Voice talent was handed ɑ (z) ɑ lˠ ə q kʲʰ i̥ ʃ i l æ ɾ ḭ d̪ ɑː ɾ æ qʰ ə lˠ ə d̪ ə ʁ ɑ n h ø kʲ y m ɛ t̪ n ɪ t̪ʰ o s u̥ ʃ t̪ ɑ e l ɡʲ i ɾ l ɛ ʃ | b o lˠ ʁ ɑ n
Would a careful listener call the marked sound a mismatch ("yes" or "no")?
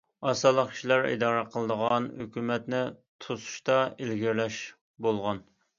yes